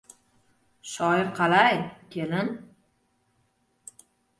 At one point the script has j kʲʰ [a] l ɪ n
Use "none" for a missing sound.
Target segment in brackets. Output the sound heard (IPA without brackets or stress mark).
e